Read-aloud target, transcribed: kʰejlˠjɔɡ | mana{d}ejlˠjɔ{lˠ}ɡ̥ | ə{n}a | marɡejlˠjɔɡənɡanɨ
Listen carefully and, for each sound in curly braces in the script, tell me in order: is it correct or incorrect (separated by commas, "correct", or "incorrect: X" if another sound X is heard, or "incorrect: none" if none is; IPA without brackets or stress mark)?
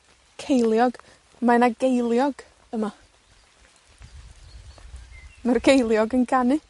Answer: incorrect: ɡ, incorrect: none, incorrect: m